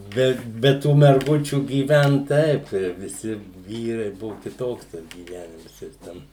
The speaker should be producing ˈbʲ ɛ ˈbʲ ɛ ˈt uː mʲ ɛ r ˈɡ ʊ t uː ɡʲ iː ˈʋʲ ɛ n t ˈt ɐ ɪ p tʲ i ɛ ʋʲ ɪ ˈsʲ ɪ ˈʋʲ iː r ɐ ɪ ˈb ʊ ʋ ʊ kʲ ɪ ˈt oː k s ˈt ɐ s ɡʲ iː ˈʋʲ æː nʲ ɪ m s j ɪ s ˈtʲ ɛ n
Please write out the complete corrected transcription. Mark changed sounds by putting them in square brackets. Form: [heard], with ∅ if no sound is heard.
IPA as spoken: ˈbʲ ɛ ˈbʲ ɛ ˈt uː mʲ ɛ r ˈɡ ʊ [t͡ʃʲ] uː ɡʲ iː ˈʋʲ ɛ n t ˈt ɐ ɪ p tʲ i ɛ ʋʲ ɪ ˈsʲ ɪ ˈʋʲ iː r ɐ ɪ ˈb ʊ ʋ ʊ kʲ ɪ ˈt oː k s ˈt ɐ s ɡʲ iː ˈʋʲ æː nʲ ɪ m s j ɪ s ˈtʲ ɛ n